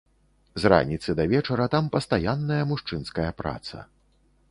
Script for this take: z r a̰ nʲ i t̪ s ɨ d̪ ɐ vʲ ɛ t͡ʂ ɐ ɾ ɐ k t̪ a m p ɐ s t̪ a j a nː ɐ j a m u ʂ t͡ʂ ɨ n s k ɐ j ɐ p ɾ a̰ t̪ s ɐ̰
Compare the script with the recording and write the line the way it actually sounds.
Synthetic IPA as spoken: z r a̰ nʲ i t̪ s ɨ d̪ ɐ vʲ ɛ t͡ʂ ɐ ɾ ɐ t̪ a m p ɐ s t̪ a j a nː ɐ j ɐ m u ʂ t͡ʂ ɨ n s k ɐ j ɐ p ɾ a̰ t̪ s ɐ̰